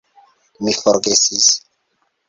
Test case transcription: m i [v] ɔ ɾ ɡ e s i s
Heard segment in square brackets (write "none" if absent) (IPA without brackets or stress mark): f